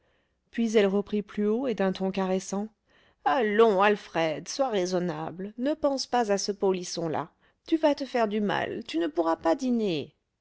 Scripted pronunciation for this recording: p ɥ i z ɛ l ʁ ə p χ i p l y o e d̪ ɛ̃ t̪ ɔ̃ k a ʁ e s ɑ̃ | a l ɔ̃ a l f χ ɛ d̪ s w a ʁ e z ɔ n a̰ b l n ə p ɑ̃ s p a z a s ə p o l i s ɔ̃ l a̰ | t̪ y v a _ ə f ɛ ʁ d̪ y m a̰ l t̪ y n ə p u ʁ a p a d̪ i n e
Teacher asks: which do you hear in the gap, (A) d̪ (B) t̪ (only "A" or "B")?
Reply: B